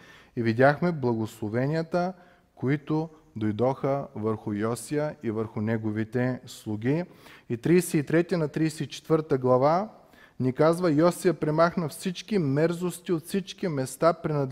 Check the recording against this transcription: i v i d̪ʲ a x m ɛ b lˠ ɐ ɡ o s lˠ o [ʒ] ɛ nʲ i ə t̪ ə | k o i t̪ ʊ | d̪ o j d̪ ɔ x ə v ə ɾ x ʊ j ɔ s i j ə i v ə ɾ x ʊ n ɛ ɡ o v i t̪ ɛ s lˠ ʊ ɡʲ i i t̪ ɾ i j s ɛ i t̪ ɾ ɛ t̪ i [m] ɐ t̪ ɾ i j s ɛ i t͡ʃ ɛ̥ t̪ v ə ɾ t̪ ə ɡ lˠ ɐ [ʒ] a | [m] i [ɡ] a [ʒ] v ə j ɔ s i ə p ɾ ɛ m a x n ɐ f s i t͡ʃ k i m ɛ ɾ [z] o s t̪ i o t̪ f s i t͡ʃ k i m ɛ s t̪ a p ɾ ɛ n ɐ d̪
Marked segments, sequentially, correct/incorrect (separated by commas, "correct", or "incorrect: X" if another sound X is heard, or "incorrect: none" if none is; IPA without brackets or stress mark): incorrect: v, incorrect: n, incorrect: v, incorrect: n, incorrect: k, incorrect: z, correct